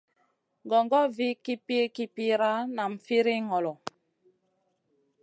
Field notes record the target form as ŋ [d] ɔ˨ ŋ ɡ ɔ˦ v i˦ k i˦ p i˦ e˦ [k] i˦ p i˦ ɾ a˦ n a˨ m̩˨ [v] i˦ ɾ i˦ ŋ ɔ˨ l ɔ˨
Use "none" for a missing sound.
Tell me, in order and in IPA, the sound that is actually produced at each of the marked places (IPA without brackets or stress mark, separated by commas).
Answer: ɡ, k, f